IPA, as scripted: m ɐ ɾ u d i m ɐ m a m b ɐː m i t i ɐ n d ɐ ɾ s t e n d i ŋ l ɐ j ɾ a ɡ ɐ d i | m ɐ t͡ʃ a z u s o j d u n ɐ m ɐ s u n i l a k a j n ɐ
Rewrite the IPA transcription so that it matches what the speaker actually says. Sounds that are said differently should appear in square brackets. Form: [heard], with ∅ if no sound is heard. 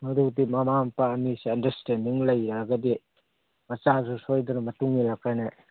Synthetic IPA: m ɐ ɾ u d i m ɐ m a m [p] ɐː m i [s] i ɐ n d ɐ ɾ s t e n d i ŋ l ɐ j ɾ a ɡ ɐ d i | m ɐ t͡ʃ a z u s o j d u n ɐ m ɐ [t] u [ŋ] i l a k a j n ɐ